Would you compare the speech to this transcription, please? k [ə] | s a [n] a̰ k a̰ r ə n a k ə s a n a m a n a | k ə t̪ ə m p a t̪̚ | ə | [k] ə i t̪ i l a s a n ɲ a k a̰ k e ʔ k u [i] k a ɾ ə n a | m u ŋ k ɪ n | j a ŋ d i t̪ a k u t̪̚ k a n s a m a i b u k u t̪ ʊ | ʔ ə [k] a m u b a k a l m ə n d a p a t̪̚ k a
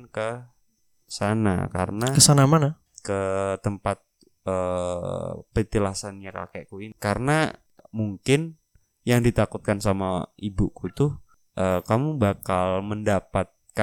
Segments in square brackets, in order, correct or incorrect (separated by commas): correct, correct, incorrect, correct, correct